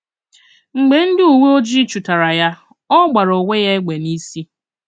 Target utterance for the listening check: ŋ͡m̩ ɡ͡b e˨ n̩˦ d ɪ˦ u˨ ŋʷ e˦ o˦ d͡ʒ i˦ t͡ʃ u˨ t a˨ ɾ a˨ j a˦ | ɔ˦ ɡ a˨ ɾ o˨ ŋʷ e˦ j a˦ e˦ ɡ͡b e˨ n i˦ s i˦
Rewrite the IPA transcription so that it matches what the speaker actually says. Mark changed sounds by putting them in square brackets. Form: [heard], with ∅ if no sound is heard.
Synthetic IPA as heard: ŋ͡m̩ ɡ͡b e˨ n̩˦ d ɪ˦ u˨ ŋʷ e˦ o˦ d͡ʒ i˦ t͡ʃ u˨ t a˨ ɾ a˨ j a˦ | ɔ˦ [ɡ͡b] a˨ ɾ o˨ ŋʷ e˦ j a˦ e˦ ɡ͡b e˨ n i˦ s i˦

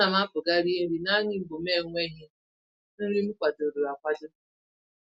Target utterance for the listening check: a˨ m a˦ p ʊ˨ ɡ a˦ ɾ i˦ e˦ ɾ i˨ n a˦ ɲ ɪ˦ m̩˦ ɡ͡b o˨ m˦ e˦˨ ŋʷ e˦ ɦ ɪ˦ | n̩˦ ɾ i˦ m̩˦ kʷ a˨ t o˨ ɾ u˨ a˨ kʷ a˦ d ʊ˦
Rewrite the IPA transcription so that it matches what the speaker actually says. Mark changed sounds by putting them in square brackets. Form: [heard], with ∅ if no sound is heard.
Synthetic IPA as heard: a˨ m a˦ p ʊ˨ ɡ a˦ ɾ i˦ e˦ ɾ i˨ n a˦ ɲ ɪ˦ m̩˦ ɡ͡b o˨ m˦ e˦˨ ŋʷ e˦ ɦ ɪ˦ | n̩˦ ɾ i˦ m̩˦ kʷ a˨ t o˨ ɾ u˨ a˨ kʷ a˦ d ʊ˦

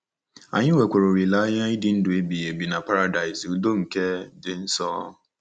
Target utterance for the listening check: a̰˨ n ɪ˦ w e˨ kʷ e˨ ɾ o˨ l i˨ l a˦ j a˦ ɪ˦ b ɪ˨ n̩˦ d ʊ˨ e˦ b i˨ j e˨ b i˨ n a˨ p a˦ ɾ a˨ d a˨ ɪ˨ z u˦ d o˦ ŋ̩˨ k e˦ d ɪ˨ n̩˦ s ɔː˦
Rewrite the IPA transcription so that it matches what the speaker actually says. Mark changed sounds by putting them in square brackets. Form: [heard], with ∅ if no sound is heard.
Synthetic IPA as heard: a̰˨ [ɲ] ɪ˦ w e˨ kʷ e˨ ɾ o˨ [ɾ] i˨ l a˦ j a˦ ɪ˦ [d] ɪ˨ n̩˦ d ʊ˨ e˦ b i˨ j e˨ b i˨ n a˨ p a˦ ɾ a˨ d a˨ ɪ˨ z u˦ d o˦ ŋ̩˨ k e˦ d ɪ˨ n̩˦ s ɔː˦

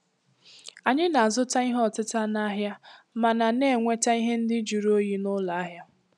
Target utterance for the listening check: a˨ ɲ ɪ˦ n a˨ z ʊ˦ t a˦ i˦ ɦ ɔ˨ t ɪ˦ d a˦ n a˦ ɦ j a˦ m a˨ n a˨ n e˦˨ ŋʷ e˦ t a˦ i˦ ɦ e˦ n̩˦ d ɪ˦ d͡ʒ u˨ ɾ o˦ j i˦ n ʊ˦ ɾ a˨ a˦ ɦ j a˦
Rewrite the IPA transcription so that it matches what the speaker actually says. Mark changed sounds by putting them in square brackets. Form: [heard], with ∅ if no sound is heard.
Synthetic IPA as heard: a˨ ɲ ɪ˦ n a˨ z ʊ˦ t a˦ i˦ ɦ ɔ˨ t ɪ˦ [t] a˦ n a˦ ɦ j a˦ m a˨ n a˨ n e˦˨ ŋʷ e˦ t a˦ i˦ ɦ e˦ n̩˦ d ɪ˦ d͡ʒ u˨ ɾ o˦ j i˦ n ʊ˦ [l] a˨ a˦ ɦ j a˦

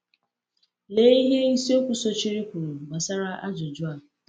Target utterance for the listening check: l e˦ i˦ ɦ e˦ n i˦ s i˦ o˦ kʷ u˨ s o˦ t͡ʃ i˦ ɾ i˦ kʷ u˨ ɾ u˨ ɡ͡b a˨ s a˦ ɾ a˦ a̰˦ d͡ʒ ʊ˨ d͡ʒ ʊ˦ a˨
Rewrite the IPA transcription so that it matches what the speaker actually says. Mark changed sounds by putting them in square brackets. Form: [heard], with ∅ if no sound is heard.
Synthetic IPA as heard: l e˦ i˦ ɦ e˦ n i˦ s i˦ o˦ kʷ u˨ s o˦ t͡ʃ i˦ ɾ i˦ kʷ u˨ ɾ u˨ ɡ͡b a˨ s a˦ ɾ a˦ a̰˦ d͡ʒ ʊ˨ d͡ʒ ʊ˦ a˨

